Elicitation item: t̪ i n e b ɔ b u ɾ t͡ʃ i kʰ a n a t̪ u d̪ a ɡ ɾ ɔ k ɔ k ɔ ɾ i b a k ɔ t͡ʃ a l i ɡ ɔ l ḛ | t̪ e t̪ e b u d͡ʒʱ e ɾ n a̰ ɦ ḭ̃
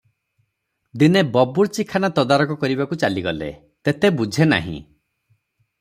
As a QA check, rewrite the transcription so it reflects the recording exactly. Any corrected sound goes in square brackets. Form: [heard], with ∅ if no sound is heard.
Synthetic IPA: [d̪] i n e b ɔ b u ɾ t͡ʃ i kʰ a n a t̪ [ɔ] d̪ a [∅] ɾ ɔ k ɔ k ɔ ɾ i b a k [u] t͡ʃ a l i ɡ ɔ l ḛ | t̪ e t̪ e b u d͡ʒʱ e [∅] n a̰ ɦ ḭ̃